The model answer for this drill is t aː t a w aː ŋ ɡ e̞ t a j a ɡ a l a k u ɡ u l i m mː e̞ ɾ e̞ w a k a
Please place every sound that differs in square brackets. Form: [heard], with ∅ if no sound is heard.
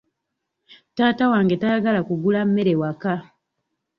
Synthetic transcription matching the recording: t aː t a w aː ŋ ɡ e̞ t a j a ɡ a l a k u ɡ u l [a] m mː e̞ ɾ e̞ w a k a